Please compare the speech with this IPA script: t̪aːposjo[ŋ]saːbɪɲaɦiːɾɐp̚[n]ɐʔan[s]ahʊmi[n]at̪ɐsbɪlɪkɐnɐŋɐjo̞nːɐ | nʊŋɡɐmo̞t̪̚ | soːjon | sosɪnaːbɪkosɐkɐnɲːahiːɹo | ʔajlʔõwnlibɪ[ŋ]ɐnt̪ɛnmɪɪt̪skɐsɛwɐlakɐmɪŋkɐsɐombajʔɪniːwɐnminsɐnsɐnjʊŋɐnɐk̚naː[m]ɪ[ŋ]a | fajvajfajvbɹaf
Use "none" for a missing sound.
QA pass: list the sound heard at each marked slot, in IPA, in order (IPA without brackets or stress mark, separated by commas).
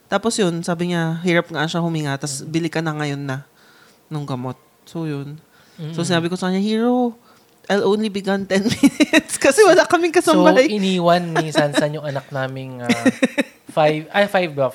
n, ŋ, ʃ, ŋ, ɡ, m, ŋ